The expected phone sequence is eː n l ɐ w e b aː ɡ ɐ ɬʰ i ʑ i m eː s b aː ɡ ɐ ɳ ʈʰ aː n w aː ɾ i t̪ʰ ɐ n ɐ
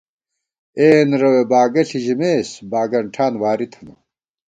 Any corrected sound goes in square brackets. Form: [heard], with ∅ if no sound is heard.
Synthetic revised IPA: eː n [ɾ] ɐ w e b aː ɡ ɐ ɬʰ i ʑ i m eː s b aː ɡ ɐ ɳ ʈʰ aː n w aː ɾ i t̪ʰ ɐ n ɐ

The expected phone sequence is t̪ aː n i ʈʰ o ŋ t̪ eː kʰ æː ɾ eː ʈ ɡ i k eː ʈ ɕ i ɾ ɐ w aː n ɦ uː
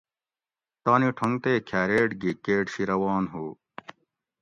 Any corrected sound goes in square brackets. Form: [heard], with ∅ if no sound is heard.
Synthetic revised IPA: t̪ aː n i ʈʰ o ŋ t̪ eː kʰ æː ɾ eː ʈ ɡ i k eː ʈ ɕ i ɾ ɐ w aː n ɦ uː

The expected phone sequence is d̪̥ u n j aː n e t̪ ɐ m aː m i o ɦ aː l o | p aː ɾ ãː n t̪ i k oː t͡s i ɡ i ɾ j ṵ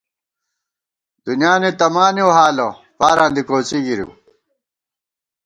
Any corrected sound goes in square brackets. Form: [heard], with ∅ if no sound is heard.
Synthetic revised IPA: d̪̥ u n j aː n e t̪ ɐ m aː [n] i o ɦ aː l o | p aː ɾ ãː n [d̪] i k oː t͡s i ɡ i ɾ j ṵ

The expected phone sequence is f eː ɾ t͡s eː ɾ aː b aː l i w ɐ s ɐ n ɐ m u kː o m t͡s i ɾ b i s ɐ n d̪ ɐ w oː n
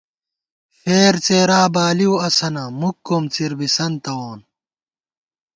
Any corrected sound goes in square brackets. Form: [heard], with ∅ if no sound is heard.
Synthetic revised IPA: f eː ɾ t͡s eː ɾ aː b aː l i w ɐ s ɐ n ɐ m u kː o m t͡s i ɾ b i s ɐ n [t̪] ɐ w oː n

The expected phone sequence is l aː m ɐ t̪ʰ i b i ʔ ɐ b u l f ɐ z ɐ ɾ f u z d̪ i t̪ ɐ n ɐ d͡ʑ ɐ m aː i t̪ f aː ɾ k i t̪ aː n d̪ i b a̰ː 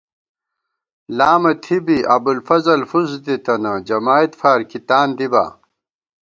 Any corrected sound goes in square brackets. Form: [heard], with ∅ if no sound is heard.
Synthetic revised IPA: l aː m ɐ t̪ʰ i b i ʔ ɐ b u l f ɐ z ɐ [l] f u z d̪ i t̪ ɐ n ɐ d͡ʑ ɐ m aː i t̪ f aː ɾ k i t̪ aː n d̪ i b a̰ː

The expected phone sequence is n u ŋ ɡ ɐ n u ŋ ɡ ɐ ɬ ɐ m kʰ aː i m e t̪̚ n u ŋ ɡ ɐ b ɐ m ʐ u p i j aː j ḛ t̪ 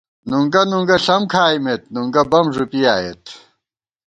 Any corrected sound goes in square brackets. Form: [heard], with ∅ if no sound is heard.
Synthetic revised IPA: n u ŋ ɡ ɐ n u ŋ ɡ ɐ ɬ ɐ m kʰ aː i m e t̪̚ n u ŋ ɡ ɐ b ɐ m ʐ u p i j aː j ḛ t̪

